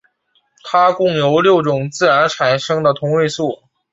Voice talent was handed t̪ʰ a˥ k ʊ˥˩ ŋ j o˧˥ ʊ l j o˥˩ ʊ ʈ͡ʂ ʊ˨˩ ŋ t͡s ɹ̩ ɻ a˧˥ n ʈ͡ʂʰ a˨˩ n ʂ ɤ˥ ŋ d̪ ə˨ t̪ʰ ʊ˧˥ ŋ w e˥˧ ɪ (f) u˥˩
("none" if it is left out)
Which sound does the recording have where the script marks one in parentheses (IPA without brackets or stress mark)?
s